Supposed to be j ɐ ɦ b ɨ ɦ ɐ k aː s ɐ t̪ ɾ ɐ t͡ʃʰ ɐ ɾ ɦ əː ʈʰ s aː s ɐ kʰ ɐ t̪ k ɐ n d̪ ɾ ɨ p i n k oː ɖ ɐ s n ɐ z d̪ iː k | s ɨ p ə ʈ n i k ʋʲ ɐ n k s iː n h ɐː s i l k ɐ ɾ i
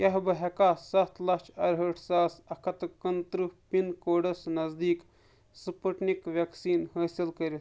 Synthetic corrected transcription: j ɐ ɦ b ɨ ɦ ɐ k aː s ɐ t̪ l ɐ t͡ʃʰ ɐ ɾ ɦ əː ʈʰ s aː s ɐ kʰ ɐ t̪ k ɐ n t̪ ɾ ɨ p i n k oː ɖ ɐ s n ɐ z d̪ iː k | s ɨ p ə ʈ n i k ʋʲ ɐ k s iː n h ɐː s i l k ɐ ɾ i